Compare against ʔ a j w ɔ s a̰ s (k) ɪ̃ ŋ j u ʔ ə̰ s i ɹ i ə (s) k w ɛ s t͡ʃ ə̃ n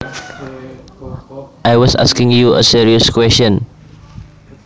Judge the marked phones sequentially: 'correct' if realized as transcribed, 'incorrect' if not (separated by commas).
correct, correct